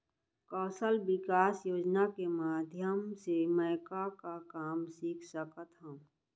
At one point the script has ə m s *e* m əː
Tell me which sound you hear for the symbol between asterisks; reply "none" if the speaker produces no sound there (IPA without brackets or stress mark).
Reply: e